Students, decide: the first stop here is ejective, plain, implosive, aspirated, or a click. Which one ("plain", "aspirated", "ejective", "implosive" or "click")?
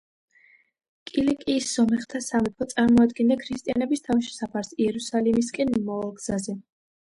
ejective